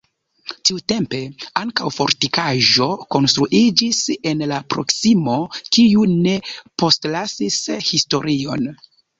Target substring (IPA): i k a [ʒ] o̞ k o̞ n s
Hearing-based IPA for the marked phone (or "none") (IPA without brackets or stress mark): ʒ